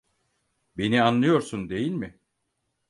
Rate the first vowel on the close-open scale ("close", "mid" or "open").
mid